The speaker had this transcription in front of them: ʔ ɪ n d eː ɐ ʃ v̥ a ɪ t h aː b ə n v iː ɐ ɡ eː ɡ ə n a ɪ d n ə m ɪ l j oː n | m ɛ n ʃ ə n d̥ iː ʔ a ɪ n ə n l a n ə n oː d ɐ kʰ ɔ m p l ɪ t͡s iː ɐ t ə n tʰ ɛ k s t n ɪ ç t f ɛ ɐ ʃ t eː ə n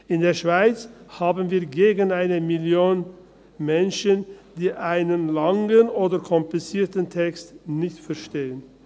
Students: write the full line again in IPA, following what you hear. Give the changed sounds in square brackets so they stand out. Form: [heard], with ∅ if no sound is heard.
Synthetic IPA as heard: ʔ ɪ n d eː ɐ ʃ v̥ a ɪ [t͡s] h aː b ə n v iː ɐ ɡ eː ɡ ə n a ɪ [∅] n ə m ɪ l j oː n | m ɛ n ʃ ə n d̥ iː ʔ a ɪ n ə n l a [ŋ] ə n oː d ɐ kʰ ɔ m p l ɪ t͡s iː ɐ t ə n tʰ ɛ k s t n ɪ ç t f ɛ ɐ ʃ t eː ə n